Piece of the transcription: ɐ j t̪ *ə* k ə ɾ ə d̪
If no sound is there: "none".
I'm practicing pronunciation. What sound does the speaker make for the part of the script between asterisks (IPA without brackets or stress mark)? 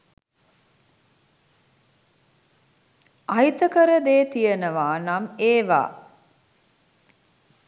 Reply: ə